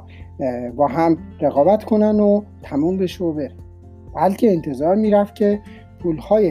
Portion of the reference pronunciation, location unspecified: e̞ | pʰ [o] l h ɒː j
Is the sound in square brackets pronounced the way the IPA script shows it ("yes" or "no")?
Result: no